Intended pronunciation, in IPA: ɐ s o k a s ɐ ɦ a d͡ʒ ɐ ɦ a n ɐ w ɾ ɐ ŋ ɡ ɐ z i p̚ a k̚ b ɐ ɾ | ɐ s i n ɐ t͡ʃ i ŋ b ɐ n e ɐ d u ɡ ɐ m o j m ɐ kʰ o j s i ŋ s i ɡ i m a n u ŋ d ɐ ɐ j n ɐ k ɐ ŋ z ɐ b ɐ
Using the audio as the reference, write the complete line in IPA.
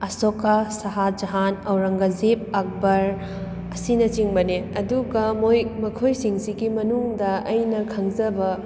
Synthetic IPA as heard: ɐ s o k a s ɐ ɦ a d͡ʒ ɐ ɦ a n ɐ w ɾ ɐ ŋ ɡ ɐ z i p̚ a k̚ b ɐ ɾ | ɐ s i n ɐ t͡ʃ i ŋ b ɐ n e ɐ d u ɡ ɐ m o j m ɐ kʰ o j s i ŋ s i ɡ i m ɐ n u ŋ d ɐ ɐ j n ɐ kʰ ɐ ŋ z ɐ b ɐ

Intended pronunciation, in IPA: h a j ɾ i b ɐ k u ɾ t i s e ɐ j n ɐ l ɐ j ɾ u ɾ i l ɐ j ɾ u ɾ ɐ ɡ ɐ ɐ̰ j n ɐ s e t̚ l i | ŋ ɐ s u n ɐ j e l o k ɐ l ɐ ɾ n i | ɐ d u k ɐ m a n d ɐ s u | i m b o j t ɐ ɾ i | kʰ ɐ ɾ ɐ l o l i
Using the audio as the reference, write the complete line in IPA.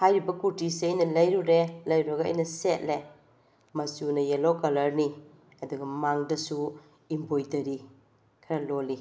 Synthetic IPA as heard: h a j ɾ i b ɐ k u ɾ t i s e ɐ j n ɐ l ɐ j ɾ u ɾ e l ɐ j ɾ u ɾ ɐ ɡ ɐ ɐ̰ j n ɐ s e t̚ l e | m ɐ s u n ɐ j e l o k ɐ l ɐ ɾ n i | ɐ d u ɡ ɐ m a ŋ d ɐ s u | i m b o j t ɐ ɾ i | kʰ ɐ ɾ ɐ l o l i

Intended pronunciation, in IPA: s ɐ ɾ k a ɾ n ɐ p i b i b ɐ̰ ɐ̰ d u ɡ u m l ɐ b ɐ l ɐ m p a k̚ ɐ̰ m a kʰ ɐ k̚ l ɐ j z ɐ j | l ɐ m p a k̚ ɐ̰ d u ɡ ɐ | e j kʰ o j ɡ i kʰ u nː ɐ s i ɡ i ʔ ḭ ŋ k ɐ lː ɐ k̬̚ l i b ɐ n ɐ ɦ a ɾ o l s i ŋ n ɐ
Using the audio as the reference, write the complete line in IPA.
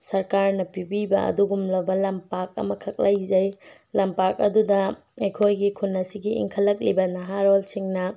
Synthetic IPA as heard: s ɐ ɾ k a ɾ n ɐ p i b i b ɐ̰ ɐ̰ d u ɡ u m l ɐ b ɐ l ɐ m p a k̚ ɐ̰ m ɐ kʰ ɐ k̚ l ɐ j z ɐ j | l ɐ m p a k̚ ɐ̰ d u d ɐ | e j kʰ o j ɡ i kʰ u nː ɐ s i ɡ i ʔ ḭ ŋ kʰ ɐ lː ɐ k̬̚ l i b ɐ n ɐ ɦ a ɾ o l s i ŋ n ɐ

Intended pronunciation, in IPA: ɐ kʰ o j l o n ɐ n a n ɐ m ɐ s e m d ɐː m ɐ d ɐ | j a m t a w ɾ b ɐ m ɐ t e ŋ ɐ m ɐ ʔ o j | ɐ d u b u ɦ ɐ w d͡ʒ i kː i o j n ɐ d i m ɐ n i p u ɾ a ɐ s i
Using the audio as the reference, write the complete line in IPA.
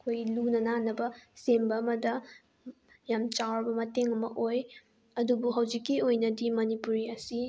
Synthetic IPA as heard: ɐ kʰ o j l u n ɐ n a n ɐ b ɐ s e m b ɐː m ɐ d ɐ | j a m t͡ʃ a w ɾ b ɐ m ɐ t e ŋ ɐ m ɐ ʔ o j | ɐ d u b u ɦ ɐ w d͡ʒ i kː i o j n ɐ d i m ɐ n i p u ɾ i ɐ s i

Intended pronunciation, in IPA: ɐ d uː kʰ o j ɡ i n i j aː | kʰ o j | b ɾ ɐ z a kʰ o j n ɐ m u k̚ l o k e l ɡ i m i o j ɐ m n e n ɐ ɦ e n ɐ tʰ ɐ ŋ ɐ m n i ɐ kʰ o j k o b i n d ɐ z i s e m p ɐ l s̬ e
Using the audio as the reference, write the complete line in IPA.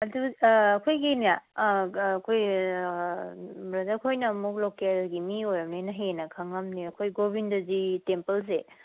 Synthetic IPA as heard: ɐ d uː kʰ o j ɡ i n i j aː | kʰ o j | b ɾ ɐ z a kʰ o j n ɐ m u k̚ l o k e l ɡ i m i o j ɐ m n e n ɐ ɦ e n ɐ kʰ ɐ ŋ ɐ m n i ɐ kʰ o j ɡ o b i n d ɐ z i t e m p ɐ l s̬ e

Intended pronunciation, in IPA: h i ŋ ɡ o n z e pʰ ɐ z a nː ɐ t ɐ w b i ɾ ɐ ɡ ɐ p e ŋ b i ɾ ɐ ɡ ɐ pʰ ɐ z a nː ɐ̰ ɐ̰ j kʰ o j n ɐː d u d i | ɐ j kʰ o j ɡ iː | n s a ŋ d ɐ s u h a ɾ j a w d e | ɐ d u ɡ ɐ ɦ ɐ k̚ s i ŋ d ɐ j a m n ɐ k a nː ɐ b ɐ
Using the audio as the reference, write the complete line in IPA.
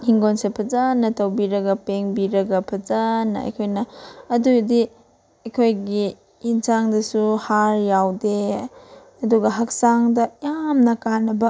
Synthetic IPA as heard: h i ŋ ɡ o n s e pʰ ɐ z a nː ɐ t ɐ w b i ɾ ɐ ɡ ɐ p e ŋ b i ɾ ɐ ɡ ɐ pʰ ɐ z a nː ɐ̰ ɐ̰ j kʰ o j n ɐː d u d i | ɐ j kʰ o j ɡ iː | n s a ŋ d ɐ s u h a ɾ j a w d e | ɐ d u ɡ ɐ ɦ ɐ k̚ s a ŋ d ɐ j a m n ɐ k a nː ɐ b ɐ

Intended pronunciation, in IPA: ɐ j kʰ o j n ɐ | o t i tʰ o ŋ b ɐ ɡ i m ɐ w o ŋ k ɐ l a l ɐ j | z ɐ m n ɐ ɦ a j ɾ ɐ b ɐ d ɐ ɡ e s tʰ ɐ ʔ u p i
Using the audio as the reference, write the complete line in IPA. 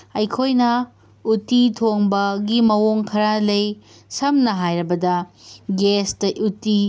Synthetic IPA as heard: ɐ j kʰ o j n ɐ | u t i tʰ o ŋ b ɐ ɡ i m ɐ w o ŋ kʰ ɐ ɾ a l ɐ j | s ɐ m n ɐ ɦ a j ɾ ɐ b ɐ d ɐ ɡ e s t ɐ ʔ u t i

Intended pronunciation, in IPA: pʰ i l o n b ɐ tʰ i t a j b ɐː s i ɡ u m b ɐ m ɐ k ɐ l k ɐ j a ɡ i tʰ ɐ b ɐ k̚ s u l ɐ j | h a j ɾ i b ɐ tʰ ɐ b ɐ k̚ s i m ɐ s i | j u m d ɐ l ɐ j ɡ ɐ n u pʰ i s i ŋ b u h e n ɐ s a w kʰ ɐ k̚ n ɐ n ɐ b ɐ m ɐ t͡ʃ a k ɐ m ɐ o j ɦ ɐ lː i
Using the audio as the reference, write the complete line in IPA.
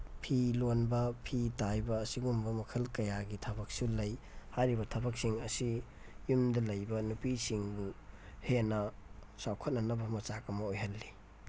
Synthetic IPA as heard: pʰ i l o n b ɐ pʰ i t a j b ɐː s i ɡ u m b ɐ m ɐ kʰ ɐ l k ɐ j a ɡ i tʰ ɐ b ɐ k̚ s u l ɐ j | h a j ɾ i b ɐ tʰ ɐ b ɐ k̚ s i ŋ ɐ s i | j u m d ɐ l ɐ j b ɐ n u p i s i ŋ b u h e n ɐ s a w kʰ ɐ t̚ n ɐ n ɐ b ɐ m ɐ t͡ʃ a k ɐ m ɐ o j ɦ ɐ lː i

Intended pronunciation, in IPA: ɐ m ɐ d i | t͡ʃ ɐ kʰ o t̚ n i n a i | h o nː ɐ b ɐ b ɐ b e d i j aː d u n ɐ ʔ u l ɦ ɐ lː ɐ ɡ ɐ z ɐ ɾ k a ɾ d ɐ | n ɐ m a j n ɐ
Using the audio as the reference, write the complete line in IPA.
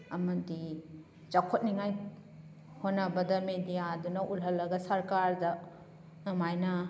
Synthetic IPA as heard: ɐ m ɐ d i | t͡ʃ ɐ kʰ o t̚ n i ŋ a j | h o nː ɐ b ɐ d ɐ m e d i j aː d u n ɐ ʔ u l ɦ ɐ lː ɐ ɡ ɐ s ɐ ɾ k a ɾ d ɐ | n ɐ m a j n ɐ

